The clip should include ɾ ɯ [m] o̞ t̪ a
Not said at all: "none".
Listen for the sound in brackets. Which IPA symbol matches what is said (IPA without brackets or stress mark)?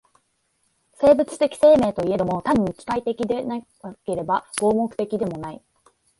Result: m